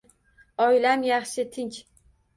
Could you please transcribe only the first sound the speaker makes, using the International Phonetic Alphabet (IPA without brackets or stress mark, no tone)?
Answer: ɒ